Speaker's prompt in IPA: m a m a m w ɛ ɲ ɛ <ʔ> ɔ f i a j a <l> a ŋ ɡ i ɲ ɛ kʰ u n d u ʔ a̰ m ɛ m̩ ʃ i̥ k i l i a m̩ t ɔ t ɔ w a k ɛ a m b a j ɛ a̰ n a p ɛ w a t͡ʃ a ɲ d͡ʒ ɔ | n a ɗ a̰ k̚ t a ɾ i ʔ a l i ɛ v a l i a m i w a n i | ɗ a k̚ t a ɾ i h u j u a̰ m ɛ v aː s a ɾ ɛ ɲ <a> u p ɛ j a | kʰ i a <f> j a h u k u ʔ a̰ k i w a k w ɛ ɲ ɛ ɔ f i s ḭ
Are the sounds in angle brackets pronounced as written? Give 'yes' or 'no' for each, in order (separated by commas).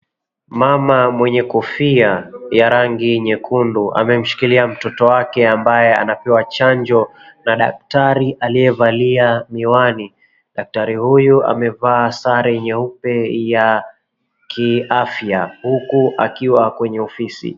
no, no, no, yes